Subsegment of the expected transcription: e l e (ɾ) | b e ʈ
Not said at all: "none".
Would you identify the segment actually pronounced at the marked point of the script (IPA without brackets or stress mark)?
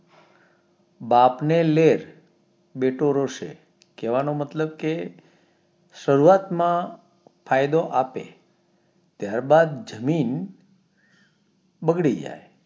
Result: ɾ